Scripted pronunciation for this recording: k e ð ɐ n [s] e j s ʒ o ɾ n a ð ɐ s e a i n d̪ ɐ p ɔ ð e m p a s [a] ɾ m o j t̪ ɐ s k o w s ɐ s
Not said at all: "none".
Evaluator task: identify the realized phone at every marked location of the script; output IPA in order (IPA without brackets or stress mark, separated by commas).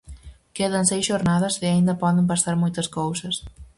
s, a